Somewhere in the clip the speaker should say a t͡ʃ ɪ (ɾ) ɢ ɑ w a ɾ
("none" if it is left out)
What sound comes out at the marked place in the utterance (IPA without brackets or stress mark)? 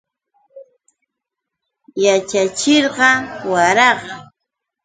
ɾ